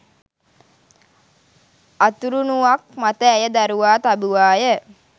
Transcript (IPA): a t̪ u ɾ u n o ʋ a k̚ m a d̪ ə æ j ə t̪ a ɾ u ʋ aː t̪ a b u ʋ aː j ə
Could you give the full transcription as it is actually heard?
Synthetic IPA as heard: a t̪ u ɾ u n u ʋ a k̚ m a t̪ ə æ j ə d̪ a ɾ u ʋ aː t̪ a b u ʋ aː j ə